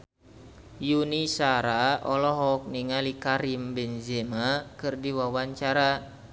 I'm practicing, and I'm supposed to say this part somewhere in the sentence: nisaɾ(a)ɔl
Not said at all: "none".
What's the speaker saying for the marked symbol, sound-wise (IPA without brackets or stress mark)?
a